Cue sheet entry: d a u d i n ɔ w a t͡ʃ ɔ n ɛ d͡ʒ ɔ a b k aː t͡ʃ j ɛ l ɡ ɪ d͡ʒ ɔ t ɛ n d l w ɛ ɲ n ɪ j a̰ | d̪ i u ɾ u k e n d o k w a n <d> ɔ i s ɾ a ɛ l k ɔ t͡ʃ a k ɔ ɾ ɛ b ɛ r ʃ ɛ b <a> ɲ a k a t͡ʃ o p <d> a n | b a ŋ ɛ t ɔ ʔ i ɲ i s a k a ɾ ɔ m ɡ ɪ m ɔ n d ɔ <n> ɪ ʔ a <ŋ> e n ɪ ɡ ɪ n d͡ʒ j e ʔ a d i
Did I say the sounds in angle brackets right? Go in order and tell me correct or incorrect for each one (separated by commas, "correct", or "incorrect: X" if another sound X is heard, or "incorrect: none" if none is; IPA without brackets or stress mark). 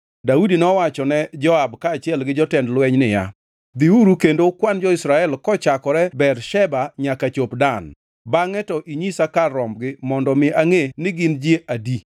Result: incorrect: d͡ʒ, correct, correct, incorrect: m, correct